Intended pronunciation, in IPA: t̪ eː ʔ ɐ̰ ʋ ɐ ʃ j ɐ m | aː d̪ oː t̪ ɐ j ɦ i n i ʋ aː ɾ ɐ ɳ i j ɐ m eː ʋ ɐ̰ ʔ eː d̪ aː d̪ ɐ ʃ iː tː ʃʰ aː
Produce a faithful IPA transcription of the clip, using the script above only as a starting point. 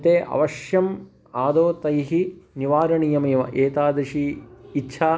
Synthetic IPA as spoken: t̪ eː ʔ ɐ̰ ʋ ɐ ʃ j ɐ m | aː d̪ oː t̪ ɐ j ɦ i n i ʋ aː ɾ ɐ ɳ i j ɐ m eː ʋ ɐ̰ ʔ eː t̪ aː d̪ ɐ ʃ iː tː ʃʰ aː